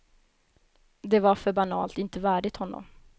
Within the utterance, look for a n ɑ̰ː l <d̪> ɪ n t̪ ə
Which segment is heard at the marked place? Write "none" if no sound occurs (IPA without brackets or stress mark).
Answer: t̪